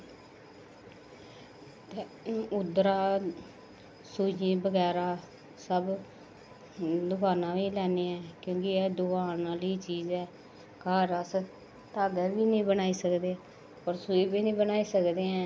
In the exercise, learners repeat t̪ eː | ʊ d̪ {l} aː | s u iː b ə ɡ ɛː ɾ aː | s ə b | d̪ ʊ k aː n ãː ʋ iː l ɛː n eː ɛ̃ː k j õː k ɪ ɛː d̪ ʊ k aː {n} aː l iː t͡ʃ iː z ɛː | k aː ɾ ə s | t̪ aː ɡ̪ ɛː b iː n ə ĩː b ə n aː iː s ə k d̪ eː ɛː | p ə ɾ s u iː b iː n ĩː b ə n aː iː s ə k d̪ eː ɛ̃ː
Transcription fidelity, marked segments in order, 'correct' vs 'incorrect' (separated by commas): incorrect, correct